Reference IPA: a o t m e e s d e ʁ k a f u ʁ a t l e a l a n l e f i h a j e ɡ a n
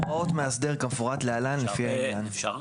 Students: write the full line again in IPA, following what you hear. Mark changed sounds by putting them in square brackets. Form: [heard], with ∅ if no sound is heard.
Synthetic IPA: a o t m e [a] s d e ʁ k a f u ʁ a t l e a l a n l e f i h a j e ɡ a n